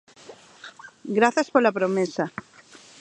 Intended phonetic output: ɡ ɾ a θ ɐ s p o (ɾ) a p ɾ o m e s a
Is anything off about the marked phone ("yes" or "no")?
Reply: yes